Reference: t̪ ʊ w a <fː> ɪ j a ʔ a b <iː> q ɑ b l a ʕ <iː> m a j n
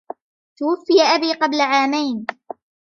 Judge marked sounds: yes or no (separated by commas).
yes, yes, no